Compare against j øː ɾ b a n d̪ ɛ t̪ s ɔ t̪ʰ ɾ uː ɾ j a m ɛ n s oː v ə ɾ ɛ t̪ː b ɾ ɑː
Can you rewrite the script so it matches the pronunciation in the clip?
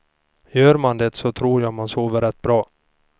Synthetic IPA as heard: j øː ɾ m a n d̪ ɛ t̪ s ɔ t̪ʰ ɾ uː ɾ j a m a n s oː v ə ɾ ɛ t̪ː b ɾ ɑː

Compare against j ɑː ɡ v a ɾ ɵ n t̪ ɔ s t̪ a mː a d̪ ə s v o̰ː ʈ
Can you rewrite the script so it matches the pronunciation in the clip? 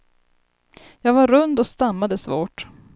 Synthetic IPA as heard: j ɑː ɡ v a ɾ ɵ n d̪ ɔ s t̪ a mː a d̪ ə s v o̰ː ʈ

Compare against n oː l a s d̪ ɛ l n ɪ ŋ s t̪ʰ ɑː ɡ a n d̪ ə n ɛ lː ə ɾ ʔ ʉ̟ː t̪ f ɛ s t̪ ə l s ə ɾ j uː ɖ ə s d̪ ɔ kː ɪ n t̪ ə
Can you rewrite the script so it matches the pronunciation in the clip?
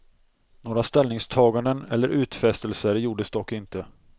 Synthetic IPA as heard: n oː ɾ a s t̪ ɛ l n ɪ ŋ s t̪ʰ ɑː ɡ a n d̪ ə n ɛ lː ə ɾ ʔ ʉ̟ː t̪ f ɛ s t̪ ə l s ə ɾ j uː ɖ ə s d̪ ɔ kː ɪ n t̪ ə

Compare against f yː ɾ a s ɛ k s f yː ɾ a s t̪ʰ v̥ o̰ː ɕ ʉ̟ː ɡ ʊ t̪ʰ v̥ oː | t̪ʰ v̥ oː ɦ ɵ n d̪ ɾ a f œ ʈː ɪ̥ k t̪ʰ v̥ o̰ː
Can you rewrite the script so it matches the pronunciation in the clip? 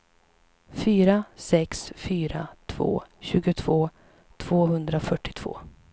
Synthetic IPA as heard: f yː ɾ a s ɛ k s f yː ɾ a t̪ʰ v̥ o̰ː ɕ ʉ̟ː ɡ ʊ t̪ʰ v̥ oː | t̪ʰ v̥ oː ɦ ɵ n d̪ ɾ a f œ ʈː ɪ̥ t̪ʰ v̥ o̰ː

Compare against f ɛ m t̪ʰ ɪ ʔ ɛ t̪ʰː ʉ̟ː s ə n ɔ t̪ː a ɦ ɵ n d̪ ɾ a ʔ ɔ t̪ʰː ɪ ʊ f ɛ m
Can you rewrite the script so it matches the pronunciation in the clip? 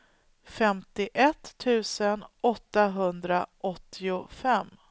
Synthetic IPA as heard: f ɛ m t̪ ɪ ʔ ɛ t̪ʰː ʉ̟ː s ə n ɔ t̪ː a ɦ ɵ n d̪ ɾ a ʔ ɔ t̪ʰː ɪ ʊ f ɛ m

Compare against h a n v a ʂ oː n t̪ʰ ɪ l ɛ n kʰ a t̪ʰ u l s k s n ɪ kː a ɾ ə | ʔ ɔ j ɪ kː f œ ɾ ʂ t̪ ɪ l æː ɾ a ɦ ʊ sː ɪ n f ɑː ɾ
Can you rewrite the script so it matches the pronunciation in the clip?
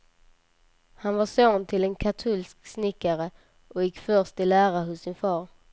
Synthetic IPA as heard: h a n v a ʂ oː n t̪ʰ ɪ l ɛ n kʰ a t̪ʰ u l s k s n ɪ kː a ɾ ə | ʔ ɔ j ɪ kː f œ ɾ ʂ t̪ ɪ l æː ɾ a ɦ ʊ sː ɪ n f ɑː ɾ

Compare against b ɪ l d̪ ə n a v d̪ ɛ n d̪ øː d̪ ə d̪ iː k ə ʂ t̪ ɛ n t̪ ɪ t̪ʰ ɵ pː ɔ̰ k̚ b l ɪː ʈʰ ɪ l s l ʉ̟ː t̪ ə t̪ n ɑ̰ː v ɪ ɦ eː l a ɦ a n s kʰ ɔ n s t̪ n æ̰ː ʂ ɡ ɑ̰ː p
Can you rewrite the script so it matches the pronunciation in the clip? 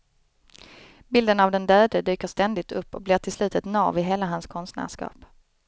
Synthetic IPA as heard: b ɪ l d̪ ə n a v d̪ ɛ n d̪ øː d̪ ə d̪ yː k ə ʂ t̪ ɛ n d̪ ɪ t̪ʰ ɵ pː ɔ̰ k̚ b l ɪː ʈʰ ɪ l s l ʉ̟ː t̪ ə t̪ n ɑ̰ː v ɪ ɦ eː l a ɦ a n s kʰ ɔ n s t̪ n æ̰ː ʂ k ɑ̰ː p

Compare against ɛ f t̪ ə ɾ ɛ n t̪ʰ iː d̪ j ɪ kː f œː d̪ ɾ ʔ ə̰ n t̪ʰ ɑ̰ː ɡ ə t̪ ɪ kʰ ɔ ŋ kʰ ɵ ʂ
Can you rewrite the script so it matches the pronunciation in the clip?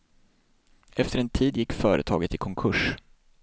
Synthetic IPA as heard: ɛ f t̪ ə ɾ ɛ n t̪ʰ iː d̪ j ɪ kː f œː ɾ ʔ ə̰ t̪ʰ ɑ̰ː ɡ ə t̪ ɪ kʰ ɔ ŋ kʰ ɵ ʂ

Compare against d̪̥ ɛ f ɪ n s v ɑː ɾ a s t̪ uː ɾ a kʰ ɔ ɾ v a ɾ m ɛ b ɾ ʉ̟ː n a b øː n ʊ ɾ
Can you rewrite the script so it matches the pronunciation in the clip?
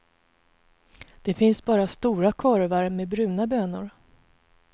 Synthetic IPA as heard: d̪̥ ɛ f ɪ n s b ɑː ɾ a s t̪ uː ɾ a kʰ ɔ ɾ v a ɾ m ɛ b ɾ ʉ̟ː n a b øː n ʊ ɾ

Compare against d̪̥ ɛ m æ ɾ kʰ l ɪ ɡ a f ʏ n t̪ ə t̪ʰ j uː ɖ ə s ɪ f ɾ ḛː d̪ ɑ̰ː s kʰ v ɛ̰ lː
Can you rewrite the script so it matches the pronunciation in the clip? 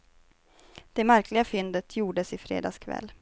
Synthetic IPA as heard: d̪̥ ɛ m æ ɾ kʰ l ɪ ɡ a f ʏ n d̪ ə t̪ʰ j uː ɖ ə s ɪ f ɾ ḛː d̪ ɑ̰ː s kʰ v ɛ̰ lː

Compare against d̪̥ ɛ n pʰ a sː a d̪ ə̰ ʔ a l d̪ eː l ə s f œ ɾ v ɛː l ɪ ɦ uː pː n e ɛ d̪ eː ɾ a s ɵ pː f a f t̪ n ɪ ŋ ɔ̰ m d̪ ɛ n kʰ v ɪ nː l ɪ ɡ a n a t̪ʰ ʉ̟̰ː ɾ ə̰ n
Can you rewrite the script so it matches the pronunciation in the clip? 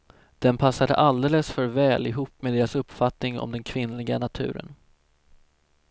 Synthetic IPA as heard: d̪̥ ɛ n pʰ a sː a d̪ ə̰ ʔ a l d̪ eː l ə s f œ ɾ v ɛː l ɪ ɦ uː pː m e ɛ d̪ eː ɾ a s ɵ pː f a t̪ n ɪ ŋ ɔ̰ m d̪ ɛ n kʰ v ɪ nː l ɪ ɡ a n a t̪ʰ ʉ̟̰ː ɾ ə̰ n

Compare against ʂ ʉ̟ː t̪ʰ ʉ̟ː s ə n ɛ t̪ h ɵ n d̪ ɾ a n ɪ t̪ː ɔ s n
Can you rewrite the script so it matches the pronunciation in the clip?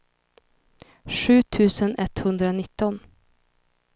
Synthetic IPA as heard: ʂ ʉ̟ː t̪ʰ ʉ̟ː s ə n ɛ t̪ h ɵ n d̪ ɾ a n ɪ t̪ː ɔ n

